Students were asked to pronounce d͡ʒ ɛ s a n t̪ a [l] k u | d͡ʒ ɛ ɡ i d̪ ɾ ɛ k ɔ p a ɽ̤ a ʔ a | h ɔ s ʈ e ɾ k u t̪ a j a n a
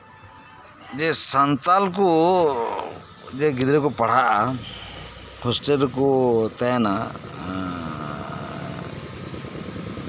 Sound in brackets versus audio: correct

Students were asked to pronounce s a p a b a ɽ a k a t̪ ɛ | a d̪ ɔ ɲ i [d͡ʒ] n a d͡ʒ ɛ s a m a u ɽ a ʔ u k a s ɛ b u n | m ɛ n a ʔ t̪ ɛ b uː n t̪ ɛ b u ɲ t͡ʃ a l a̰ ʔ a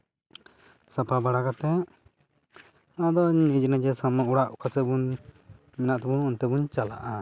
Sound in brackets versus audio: correct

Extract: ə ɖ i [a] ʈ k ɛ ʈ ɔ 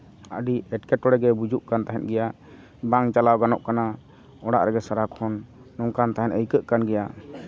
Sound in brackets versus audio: incorrect: ɛ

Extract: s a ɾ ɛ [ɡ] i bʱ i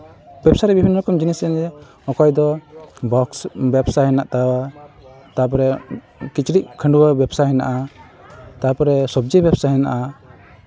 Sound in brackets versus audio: incorrect: b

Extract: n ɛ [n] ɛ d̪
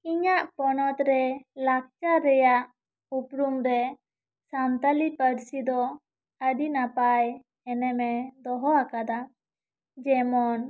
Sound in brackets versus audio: incorrect: m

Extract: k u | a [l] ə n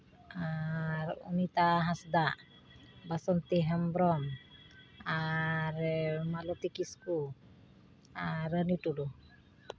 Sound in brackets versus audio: incorrect: ɾ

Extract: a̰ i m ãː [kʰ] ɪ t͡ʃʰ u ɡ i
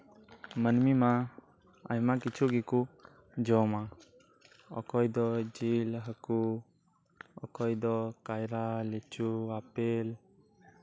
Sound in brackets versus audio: incorrect: k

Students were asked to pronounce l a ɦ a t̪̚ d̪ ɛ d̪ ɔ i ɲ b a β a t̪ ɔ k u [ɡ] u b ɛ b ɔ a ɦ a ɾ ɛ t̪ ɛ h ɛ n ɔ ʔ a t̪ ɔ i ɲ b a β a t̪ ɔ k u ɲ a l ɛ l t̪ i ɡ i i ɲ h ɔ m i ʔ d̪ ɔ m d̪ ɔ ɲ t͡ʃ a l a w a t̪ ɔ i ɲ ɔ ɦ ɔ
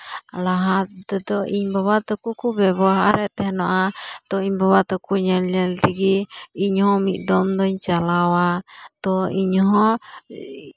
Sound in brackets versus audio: incorrect: k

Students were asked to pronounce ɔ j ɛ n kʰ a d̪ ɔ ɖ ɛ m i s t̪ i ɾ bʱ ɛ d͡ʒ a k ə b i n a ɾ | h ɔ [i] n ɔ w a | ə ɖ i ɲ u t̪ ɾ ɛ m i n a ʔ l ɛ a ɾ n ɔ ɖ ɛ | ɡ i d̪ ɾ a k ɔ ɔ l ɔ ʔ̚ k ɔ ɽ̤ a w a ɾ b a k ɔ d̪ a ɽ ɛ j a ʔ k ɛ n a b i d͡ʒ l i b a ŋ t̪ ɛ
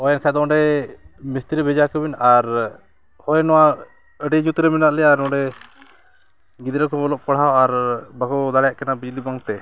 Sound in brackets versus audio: incorrect: j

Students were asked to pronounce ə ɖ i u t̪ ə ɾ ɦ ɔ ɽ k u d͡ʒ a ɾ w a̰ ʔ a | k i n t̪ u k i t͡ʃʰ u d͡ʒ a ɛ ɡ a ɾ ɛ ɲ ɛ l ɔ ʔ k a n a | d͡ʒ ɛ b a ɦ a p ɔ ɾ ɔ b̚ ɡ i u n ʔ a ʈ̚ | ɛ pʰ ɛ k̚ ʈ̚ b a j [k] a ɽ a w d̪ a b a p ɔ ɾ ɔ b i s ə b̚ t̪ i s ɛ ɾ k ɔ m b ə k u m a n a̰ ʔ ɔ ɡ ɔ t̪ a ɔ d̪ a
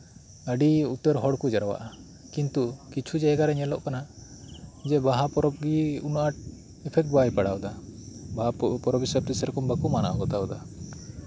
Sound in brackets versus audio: incorrect: p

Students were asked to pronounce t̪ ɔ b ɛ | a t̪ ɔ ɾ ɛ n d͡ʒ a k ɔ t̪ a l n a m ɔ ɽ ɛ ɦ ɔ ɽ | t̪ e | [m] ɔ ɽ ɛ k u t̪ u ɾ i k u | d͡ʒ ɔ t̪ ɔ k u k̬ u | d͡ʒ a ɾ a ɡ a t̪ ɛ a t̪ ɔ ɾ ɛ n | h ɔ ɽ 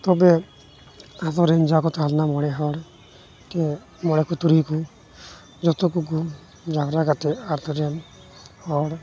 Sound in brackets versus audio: correct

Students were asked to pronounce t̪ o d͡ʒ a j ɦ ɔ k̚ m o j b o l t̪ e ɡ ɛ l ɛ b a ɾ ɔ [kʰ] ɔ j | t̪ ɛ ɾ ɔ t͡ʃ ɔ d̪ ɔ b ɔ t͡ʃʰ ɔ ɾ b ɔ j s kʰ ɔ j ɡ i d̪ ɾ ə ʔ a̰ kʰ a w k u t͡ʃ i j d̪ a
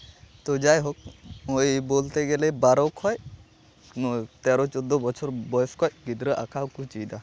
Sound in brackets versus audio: correct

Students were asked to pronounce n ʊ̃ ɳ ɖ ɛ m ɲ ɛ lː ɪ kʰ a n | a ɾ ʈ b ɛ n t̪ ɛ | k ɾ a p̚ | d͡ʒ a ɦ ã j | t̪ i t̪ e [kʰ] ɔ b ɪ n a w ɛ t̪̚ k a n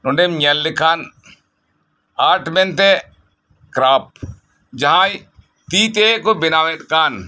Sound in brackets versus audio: incorrect: k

